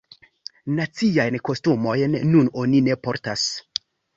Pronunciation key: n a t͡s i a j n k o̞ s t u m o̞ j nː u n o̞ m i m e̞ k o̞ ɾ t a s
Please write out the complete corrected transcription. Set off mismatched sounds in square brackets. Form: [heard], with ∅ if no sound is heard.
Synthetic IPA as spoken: n a t͡s i a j n k o̞ s t u m o̞ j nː u n o̞ [n] i [n] e̞ [p] o̞ ɾ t a s